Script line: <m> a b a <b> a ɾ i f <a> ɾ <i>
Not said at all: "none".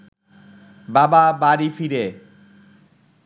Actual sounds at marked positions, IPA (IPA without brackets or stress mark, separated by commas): b, b, i, e